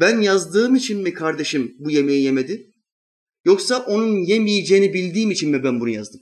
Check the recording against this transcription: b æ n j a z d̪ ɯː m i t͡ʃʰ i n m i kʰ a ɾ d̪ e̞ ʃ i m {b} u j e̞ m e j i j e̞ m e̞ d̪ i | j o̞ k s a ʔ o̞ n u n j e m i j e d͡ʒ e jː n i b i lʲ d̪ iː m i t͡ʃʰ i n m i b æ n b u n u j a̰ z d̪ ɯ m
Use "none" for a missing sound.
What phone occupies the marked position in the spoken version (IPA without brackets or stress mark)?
b